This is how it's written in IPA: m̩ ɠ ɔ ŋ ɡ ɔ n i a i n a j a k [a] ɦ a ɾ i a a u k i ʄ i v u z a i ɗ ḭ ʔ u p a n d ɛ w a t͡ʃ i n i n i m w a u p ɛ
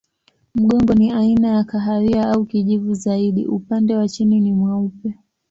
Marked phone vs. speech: correct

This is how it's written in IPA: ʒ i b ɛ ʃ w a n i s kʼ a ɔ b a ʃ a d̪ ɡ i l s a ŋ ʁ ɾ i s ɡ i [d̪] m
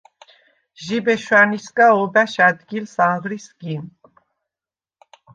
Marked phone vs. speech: incorrect: none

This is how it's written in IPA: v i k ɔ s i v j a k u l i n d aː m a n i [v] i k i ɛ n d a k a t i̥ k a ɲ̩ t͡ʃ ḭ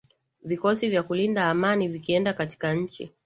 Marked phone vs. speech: correct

